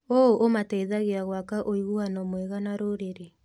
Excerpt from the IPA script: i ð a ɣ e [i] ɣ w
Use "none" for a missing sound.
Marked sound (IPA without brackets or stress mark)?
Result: a